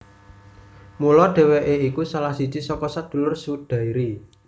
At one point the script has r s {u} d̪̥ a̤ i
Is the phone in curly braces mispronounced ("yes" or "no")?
no